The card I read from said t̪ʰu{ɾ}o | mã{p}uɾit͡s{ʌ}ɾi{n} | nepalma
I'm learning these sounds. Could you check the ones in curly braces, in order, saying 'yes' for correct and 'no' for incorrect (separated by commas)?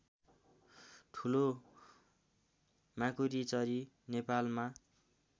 no, no, yes, no